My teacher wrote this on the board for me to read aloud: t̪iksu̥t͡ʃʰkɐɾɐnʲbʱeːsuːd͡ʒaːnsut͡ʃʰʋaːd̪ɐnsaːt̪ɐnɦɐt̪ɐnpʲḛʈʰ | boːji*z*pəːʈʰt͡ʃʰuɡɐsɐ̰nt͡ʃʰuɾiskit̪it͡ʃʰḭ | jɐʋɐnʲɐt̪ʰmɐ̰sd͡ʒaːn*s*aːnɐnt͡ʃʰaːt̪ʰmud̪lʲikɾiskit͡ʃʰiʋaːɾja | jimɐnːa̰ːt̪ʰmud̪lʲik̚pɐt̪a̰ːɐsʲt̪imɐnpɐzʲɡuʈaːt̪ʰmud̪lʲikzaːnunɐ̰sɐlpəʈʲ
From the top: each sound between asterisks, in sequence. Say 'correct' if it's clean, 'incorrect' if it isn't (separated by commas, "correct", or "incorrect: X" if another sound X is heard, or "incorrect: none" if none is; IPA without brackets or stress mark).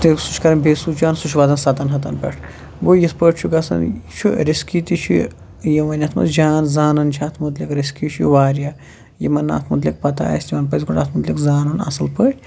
incorrect: s, incorrect: z